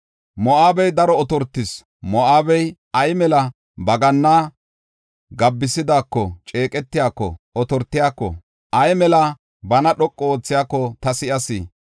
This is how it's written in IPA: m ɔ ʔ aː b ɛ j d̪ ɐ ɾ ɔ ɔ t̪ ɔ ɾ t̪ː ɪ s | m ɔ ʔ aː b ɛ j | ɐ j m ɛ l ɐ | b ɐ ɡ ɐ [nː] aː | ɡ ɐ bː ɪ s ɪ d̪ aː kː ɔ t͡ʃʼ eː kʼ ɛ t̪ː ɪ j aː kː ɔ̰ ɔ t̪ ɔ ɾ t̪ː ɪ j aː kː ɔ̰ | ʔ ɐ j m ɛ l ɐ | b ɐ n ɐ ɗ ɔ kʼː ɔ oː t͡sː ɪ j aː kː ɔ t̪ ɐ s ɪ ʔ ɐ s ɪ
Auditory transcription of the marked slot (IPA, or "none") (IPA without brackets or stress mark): nː